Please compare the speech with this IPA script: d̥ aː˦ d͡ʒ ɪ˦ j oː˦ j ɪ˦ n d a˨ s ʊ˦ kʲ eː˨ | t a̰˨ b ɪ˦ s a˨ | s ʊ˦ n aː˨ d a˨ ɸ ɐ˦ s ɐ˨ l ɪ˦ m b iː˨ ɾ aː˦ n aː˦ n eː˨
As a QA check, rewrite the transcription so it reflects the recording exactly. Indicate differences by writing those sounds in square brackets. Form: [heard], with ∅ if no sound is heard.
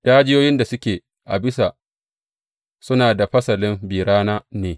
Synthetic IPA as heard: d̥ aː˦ d͡ʒ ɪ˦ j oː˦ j ɪ˦ n d a˨ s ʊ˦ kʲ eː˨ | [ʔ] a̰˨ b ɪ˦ s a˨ | s ʊ˦ n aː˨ d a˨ ɸ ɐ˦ s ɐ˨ l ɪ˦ m b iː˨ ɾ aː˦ n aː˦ n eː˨